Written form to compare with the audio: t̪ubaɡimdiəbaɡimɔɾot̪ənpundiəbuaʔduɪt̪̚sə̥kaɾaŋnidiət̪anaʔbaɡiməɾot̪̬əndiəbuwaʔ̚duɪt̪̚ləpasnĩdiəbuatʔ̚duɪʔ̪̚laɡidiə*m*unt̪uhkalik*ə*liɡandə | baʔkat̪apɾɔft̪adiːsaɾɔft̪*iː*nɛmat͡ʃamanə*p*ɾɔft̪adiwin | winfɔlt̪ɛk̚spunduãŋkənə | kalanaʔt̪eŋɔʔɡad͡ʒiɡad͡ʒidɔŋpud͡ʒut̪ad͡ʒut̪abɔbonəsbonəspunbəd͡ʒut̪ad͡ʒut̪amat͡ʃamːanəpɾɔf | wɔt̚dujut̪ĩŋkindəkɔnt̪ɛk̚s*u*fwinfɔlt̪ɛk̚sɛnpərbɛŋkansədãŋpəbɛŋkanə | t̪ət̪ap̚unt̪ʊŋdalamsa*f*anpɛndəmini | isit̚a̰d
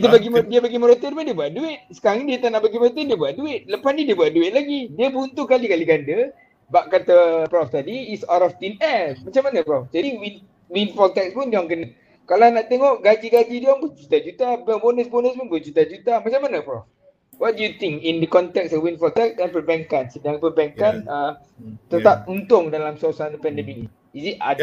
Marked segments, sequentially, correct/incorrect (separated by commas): incorrect, incorrect, incorrect, correct, incorrect, incorrect